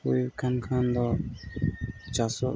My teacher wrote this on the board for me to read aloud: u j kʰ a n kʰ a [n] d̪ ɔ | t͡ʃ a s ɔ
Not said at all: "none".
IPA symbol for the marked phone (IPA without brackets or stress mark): n